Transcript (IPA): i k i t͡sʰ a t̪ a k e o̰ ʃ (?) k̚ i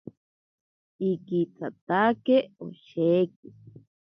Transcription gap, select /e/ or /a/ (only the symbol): e